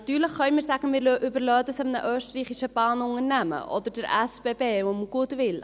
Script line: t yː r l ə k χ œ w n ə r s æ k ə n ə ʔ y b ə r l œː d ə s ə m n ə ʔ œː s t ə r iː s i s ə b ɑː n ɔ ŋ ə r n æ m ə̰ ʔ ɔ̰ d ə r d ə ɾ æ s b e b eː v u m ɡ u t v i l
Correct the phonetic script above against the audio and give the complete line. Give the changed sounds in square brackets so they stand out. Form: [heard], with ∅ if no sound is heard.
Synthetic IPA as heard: t yː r l ə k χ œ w [m] ə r s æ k ə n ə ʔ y b ə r l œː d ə s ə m n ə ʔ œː s t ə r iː [χ] i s ə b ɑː n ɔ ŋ ə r n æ m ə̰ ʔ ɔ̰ d ə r d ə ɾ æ s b e b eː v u m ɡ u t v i l